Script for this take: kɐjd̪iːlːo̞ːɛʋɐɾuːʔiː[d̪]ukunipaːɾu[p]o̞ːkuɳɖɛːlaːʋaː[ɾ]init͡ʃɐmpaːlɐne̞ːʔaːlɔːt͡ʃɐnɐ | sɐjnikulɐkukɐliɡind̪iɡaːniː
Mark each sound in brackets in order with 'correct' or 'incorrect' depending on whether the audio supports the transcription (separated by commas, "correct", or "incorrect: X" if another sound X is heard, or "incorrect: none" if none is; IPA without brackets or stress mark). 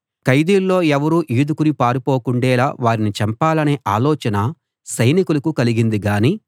correct, correct, correct